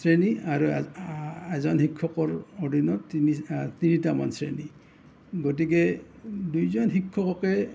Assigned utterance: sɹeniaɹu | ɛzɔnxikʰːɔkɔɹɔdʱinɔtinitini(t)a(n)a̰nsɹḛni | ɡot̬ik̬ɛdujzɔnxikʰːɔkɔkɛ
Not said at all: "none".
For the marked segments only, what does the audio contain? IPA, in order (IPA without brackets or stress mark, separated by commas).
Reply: t, m